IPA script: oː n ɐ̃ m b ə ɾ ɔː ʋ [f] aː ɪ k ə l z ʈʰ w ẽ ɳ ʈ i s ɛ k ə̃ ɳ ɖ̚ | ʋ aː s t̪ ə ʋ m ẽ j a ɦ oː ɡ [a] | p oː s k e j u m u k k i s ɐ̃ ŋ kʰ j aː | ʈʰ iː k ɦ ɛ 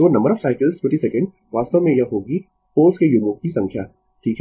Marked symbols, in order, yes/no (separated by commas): no, no